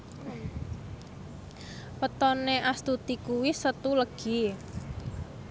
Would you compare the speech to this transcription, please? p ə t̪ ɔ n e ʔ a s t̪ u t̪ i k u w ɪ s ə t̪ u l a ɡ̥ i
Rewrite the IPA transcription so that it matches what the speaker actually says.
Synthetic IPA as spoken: p ə t̪ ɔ n e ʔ a s t̪ u t̪ i k u w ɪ s ə t̪ u l ə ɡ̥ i